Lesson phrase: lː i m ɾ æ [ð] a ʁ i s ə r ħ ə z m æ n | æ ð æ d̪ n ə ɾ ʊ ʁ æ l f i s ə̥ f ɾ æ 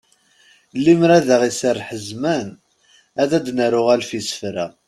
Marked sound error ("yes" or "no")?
no